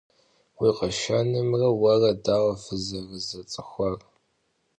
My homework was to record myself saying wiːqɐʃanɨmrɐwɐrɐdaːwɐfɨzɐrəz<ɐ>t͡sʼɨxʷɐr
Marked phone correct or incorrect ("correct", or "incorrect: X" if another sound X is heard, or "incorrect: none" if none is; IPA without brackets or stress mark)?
correct